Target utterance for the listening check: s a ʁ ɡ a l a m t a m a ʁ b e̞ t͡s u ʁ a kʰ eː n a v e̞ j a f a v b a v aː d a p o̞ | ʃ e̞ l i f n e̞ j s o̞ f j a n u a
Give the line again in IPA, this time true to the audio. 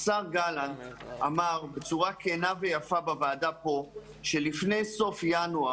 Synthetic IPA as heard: s a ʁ ɡ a l a n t a m a ʁ b e̞ t͡s u ʁ a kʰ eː n a v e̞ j a f a b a v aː d a p o̞ | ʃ e̞ l i f n e̞ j s o̞ f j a n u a